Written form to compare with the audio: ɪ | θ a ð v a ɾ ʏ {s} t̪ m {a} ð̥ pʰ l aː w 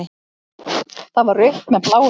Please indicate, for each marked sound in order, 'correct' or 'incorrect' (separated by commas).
incorrect, incorrect